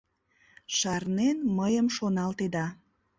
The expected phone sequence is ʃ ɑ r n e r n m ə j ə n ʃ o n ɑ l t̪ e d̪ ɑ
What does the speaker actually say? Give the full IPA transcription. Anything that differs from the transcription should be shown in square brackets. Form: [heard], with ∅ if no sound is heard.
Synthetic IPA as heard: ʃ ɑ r n e [∅] n m ə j ə [m] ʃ o n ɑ l t̪ e d̪ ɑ